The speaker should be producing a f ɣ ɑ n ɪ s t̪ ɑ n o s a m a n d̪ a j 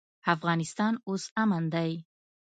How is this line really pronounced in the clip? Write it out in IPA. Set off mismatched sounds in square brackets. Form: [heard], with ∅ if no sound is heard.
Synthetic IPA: a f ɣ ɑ n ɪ s t̪ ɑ n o s a m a n d̪ a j